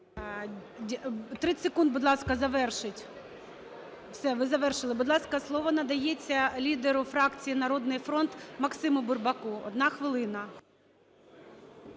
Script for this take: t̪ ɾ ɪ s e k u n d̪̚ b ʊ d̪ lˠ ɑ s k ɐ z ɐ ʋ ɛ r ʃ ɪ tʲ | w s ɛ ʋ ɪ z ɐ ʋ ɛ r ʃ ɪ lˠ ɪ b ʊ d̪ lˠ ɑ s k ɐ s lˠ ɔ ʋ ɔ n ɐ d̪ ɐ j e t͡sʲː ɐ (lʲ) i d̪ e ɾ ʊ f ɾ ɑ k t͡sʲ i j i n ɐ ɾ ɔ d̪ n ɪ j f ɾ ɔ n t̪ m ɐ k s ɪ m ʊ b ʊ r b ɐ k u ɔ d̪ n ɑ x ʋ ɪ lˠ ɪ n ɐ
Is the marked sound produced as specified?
yes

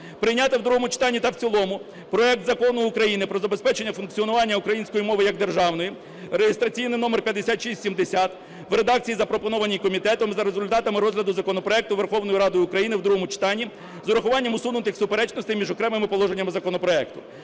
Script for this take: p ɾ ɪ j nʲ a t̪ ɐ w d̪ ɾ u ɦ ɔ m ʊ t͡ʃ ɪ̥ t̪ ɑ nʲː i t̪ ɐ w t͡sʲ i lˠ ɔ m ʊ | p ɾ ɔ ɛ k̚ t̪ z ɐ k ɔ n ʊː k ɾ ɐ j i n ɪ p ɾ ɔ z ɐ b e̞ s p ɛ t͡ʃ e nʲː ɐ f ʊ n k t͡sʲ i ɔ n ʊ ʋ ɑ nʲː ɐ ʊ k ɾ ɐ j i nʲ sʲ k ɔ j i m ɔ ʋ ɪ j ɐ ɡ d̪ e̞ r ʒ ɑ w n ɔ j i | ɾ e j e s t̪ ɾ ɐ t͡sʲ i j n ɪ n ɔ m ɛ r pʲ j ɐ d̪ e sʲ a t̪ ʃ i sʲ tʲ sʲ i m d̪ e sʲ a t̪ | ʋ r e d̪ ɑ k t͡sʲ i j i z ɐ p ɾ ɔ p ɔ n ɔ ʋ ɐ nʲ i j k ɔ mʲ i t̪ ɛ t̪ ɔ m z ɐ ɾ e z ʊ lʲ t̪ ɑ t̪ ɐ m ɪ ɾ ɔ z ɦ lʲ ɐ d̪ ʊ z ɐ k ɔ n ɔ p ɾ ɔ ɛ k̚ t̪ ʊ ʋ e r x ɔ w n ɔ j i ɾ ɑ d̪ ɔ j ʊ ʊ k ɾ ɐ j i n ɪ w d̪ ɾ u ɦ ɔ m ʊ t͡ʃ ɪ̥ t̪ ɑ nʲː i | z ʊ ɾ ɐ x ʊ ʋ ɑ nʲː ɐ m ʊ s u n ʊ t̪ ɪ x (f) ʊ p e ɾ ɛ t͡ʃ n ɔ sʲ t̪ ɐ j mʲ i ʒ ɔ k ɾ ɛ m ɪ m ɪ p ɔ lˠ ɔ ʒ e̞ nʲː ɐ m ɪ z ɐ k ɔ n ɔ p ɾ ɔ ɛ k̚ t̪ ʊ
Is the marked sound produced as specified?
no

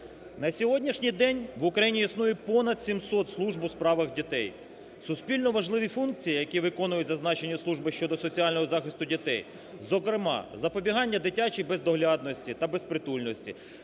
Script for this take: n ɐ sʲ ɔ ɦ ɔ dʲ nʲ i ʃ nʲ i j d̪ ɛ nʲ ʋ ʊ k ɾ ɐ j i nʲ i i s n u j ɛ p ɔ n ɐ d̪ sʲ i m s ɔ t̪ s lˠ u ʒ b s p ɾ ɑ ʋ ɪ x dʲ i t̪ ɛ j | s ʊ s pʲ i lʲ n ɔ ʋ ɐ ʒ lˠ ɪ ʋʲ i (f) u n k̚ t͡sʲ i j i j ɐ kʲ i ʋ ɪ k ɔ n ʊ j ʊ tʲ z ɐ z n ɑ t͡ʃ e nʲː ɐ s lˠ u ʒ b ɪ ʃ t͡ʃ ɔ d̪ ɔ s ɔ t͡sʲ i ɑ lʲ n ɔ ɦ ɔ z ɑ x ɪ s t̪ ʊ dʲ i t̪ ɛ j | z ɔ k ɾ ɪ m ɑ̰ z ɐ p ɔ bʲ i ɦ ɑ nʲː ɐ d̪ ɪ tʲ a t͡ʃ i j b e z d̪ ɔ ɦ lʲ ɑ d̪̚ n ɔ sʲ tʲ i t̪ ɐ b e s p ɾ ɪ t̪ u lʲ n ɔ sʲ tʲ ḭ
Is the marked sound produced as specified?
yes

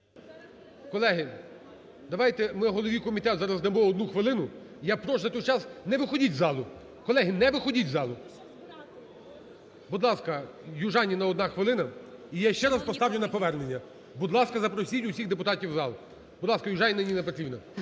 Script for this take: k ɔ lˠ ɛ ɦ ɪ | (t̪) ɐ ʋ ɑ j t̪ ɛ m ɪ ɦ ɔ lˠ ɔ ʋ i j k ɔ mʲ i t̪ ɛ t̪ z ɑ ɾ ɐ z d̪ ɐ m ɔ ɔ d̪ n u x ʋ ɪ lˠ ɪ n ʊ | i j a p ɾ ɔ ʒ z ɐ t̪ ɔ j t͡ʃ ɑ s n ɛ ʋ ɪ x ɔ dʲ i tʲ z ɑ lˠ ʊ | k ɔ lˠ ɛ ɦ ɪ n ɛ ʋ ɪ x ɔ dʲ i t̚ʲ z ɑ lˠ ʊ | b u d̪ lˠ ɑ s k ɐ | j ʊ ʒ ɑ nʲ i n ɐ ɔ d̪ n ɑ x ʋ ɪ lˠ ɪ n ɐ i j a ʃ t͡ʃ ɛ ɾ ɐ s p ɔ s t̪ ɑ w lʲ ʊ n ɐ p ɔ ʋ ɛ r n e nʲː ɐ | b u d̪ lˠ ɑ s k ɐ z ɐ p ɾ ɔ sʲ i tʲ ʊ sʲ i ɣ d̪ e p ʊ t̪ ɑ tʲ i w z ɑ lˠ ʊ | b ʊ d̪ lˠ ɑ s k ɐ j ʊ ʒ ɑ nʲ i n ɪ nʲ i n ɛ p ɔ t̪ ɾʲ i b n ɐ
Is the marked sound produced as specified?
no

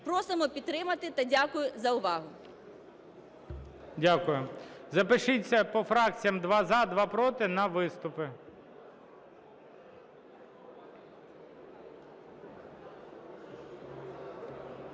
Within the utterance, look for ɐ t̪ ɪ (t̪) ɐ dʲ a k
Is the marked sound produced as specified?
yes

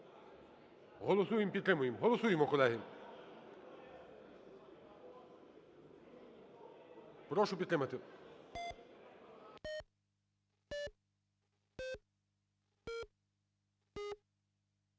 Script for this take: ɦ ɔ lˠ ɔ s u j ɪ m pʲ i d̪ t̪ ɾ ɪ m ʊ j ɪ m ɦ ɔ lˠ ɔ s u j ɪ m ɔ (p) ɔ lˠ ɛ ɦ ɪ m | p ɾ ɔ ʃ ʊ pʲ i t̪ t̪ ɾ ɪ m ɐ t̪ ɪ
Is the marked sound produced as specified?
no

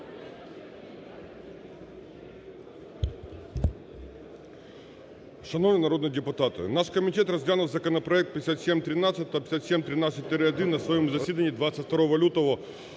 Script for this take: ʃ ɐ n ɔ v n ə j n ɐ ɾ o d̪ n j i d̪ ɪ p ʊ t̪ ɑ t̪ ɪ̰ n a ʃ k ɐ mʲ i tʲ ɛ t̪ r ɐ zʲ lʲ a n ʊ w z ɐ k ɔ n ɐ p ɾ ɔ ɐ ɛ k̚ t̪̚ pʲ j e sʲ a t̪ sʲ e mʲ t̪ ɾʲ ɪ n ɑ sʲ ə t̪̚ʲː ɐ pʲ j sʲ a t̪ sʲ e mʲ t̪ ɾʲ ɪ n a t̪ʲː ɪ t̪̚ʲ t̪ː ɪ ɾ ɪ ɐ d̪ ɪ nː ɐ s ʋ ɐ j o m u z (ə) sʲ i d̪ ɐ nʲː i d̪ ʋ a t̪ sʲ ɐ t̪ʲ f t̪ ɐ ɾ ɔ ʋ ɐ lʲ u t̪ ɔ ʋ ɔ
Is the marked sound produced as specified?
no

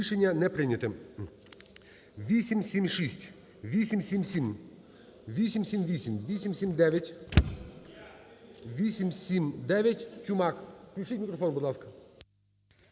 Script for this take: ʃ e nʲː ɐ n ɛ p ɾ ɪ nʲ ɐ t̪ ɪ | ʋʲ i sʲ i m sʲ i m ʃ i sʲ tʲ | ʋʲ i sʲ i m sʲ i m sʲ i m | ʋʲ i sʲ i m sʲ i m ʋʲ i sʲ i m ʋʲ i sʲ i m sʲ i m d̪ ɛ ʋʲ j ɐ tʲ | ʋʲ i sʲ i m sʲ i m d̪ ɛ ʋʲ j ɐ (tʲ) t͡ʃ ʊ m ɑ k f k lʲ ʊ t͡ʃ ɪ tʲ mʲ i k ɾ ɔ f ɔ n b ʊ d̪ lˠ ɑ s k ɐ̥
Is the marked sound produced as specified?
yes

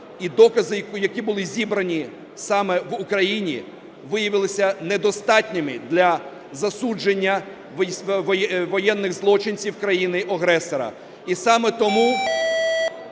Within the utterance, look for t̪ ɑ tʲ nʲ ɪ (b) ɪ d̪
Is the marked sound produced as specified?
no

